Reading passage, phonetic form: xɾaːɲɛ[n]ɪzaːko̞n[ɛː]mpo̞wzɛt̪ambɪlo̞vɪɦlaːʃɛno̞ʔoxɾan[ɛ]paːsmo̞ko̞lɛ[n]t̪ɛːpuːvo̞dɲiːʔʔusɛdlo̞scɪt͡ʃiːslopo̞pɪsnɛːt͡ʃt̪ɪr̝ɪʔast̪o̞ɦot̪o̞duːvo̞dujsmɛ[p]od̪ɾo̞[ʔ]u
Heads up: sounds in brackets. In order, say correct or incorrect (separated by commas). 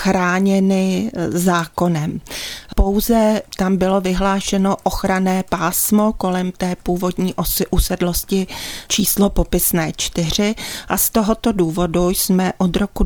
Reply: correct, incorrect, incorrect, incorrect, incorrect, incorrect